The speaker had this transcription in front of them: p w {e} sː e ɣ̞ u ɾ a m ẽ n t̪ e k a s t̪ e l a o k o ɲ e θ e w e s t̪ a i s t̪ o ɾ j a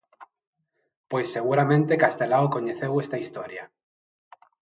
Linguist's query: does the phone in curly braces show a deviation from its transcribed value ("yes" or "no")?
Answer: no